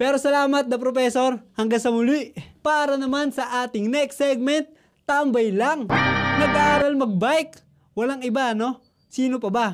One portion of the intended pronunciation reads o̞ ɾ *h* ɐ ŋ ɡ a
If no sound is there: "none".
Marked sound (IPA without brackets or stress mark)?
h